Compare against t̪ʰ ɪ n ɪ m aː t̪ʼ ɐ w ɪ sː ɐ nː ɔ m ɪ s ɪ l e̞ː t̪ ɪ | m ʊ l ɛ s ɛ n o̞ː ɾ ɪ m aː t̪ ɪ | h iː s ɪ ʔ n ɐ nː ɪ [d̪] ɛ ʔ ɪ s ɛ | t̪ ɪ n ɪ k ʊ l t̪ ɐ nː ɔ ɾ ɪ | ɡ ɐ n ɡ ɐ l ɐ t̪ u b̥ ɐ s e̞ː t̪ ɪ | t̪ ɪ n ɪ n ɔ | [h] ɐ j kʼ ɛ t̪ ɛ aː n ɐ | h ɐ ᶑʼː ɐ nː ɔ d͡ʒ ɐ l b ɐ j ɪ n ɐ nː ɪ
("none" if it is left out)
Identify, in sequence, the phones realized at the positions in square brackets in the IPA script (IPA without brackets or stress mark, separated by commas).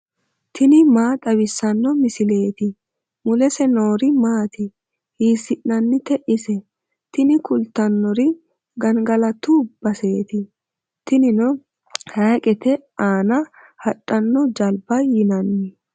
t̪, h